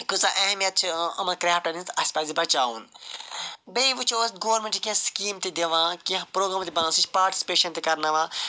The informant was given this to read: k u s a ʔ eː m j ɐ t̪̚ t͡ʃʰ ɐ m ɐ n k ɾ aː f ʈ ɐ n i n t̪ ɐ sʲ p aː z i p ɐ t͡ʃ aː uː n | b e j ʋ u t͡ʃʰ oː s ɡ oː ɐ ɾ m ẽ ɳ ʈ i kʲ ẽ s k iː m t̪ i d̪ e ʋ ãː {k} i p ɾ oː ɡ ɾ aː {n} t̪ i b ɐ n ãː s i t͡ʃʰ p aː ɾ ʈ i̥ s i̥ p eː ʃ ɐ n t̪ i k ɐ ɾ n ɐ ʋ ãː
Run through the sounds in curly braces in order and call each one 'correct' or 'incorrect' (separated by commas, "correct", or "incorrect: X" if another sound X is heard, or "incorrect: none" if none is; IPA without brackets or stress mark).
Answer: correct, incorrect: m